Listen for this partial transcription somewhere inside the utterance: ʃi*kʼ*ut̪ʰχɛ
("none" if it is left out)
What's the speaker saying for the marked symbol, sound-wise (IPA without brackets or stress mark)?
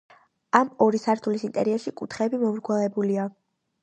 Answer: kʼ